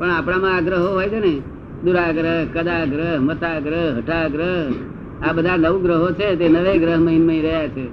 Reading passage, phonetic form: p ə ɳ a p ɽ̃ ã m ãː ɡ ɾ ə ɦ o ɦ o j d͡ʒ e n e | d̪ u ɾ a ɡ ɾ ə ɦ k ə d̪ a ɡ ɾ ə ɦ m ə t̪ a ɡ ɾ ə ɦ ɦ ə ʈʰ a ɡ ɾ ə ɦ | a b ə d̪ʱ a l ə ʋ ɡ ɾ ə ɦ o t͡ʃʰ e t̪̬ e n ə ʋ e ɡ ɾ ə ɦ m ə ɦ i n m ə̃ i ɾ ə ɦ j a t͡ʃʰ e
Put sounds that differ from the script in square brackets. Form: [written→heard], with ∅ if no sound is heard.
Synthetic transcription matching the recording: p ə ɳ a p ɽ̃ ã m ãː ɡ ɾ ə ɦ o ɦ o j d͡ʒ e n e | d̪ u ɾ a ɡ ɾ ə ɦ k ə d̪ a ɡ ɾ ə ɦ m ə t̪ a ɡ ɾ ə ɦ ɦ ə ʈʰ a ɡ ɾ ə ɦ | a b ə d̪ʱ a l ə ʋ ɡ ɾ ə ɦ o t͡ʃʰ e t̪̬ e n ə ʋ e ɡ ɾ ə ɦ m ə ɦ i n m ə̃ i ɾ ə ɦ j a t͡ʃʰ e